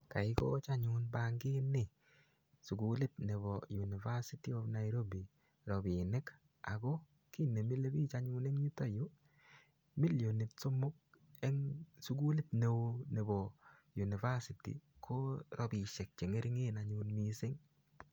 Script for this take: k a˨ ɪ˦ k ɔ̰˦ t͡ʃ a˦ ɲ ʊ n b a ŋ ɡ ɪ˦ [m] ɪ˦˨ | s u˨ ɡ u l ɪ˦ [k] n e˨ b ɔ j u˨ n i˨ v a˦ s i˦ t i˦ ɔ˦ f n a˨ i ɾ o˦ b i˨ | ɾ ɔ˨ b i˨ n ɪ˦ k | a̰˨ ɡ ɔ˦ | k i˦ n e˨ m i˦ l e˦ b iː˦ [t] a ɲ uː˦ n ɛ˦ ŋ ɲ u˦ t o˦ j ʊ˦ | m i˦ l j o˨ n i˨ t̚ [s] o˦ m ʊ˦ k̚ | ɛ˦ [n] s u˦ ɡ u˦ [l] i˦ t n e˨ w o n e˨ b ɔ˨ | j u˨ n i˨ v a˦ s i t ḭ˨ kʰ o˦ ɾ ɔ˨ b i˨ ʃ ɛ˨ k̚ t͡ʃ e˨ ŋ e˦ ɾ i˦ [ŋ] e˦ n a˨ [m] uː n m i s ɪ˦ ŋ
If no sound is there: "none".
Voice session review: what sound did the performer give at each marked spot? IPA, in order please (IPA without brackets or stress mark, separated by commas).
n, t, t͡ʃ, s, ŋ, l, ŋ, ɲ